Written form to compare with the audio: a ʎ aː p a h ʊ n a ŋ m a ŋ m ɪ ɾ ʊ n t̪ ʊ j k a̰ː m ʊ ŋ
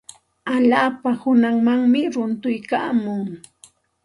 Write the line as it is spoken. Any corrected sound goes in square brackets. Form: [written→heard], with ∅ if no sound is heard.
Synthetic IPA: a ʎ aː p a h ʊ n a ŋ m a ŋ m ɪ ɾ ʊ n t̪ ʊ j k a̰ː m ʊ ŋ